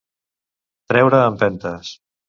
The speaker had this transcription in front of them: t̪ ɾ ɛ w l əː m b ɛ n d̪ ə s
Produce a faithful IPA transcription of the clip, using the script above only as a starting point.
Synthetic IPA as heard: t̪ ɾ ɛ w ɾ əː m p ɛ n t̪ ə s